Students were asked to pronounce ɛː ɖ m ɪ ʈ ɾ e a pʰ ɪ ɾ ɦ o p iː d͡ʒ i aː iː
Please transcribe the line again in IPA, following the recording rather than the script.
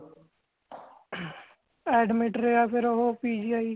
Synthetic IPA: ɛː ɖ m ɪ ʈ ɾ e a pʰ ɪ ɾ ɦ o p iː d͡ʒ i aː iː